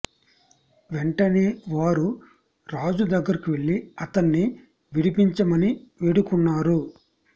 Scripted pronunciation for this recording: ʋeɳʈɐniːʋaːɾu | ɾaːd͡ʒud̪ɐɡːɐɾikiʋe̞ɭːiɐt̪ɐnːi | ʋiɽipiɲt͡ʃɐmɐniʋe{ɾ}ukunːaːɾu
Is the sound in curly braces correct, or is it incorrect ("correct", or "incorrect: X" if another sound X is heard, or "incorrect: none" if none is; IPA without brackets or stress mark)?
incorrect: ɽ